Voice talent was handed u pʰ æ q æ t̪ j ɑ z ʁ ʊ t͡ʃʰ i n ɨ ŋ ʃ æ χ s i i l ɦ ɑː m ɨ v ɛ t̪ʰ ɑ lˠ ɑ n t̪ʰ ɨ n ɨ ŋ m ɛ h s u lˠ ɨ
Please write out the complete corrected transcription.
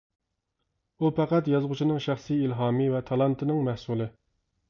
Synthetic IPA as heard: u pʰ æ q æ t̪ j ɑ z ʁ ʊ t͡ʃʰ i n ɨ ŋ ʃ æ χ s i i l ɦ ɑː m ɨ v ɛ t̪ʰ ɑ lˠ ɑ n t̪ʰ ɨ n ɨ ŋ m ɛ h s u lˠ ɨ